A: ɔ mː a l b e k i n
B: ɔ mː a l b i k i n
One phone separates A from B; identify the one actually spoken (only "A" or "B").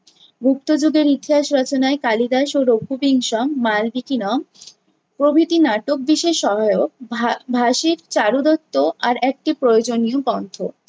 B